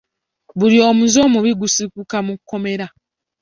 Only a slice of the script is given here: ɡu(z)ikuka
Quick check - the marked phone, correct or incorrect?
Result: incorrect